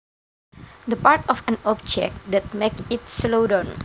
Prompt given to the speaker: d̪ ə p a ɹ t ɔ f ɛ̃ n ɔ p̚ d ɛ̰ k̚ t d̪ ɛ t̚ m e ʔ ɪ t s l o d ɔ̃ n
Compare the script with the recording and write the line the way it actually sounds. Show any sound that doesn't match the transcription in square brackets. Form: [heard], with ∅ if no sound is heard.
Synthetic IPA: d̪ ə p a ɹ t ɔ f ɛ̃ n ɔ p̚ [d͡ʒ] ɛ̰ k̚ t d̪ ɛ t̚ m e [k] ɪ t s l o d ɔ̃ n

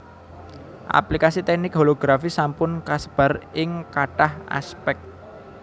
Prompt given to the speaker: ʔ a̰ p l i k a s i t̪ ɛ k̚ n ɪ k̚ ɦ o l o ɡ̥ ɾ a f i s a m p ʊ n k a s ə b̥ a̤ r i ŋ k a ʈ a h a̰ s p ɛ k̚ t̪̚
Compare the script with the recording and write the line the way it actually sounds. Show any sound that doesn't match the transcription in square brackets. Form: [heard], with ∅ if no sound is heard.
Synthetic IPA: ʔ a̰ p l i k a s i t̪ ɛ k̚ n ɪ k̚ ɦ o l o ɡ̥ ɾ a f i s a m p ʊ n k a s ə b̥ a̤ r [ɪ] ŋ k a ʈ a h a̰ s p ɛ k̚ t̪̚

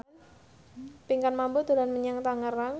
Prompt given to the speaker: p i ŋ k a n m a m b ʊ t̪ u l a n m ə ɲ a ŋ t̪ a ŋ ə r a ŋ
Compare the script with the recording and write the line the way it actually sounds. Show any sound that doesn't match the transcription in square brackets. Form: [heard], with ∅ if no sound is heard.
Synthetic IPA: p i ŋ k a n m a m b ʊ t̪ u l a n m ə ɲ a ŋ t̪ a ŋ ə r a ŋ

